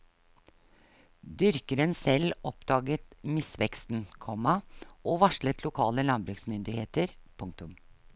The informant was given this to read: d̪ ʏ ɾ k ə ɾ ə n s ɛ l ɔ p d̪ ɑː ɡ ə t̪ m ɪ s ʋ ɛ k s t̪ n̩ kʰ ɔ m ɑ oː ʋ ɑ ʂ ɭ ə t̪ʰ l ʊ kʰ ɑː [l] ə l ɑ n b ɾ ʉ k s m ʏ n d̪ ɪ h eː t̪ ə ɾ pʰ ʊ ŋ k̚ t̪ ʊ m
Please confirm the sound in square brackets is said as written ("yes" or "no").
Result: yes